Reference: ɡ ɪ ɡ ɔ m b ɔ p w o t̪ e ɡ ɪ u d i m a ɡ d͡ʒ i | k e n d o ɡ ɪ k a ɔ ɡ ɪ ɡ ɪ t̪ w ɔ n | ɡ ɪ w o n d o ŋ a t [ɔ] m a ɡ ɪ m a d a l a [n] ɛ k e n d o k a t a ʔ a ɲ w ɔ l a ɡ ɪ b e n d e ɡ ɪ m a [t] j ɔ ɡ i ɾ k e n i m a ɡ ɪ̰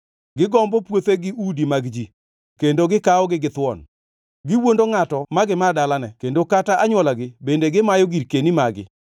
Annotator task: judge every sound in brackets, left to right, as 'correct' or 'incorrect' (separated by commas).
correct, correct, incorrect